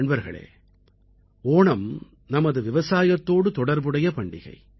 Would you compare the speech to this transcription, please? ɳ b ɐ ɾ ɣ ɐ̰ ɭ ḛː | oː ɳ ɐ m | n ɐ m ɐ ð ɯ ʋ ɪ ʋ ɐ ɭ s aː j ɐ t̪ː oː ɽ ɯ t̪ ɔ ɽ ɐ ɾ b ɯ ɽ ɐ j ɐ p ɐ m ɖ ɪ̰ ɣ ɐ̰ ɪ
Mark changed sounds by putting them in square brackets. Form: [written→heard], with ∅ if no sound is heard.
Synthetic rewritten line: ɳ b ɐ ɾ ɣ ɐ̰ ɭ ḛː | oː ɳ ɐ m | n ɐ m ɐ ð ɯ ʋ ɪ ʋ ɐ [ɭ→∅] s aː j ɐ t̪ː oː ɽ ɯ t̪ ɔ ɽ ɐ ɾ b ɯ ɽ ɐ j ɐ p ɐ [m→ɳ] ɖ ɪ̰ ɣ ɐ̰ ɪ